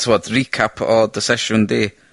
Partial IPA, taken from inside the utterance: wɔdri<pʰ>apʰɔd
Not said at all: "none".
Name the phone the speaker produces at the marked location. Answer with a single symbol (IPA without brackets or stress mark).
kʰ